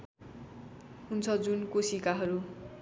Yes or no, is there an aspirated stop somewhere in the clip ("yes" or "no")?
yes